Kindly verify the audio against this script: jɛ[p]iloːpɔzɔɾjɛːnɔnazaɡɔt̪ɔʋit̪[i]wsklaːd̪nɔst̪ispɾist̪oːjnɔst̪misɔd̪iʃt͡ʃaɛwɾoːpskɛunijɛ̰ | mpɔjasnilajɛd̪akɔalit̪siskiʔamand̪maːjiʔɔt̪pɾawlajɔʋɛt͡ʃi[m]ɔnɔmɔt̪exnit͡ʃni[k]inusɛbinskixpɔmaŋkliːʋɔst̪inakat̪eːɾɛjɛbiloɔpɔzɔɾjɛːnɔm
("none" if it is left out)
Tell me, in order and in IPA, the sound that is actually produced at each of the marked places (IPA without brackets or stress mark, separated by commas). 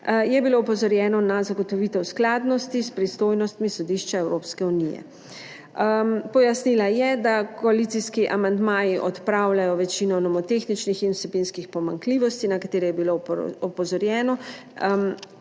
b, ɛ, n, x